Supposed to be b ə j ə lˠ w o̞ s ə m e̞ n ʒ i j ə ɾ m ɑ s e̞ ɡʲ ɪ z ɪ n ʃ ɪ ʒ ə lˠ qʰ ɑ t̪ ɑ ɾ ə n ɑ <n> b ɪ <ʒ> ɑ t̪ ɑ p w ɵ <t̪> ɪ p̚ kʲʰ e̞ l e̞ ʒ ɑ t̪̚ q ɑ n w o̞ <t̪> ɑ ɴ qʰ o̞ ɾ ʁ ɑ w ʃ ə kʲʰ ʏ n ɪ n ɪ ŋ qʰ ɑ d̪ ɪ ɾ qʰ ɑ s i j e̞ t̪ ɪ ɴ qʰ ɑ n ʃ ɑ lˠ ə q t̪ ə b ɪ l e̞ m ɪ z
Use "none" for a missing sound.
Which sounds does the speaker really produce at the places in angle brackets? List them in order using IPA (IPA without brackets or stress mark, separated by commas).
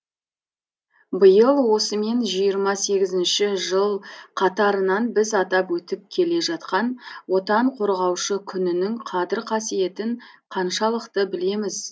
n, z, t̪, t̪